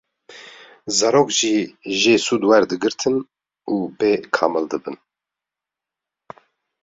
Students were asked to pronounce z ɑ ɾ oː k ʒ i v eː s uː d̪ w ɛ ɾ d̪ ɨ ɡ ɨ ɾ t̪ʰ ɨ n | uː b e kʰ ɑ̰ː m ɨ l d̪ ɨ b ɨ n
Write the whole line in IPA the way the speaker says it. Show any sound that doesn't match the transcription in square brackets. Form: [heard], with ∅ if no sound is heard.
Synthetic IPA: z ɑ ɾ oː k ʒ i [ʒ] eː s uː d̪ w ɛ ɾ d̪ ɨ ɡ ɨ ɾ t̪ʰ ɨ n | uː b e kʰ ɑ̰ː m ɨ l d̪ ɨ b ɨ n